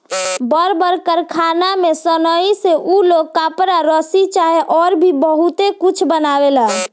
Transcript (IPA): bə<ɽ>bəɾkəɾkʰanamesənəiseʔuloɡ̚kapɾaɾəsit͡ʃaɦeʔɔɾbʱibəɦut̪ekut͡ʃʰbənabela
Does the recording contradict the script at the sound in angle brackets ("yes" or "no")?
yes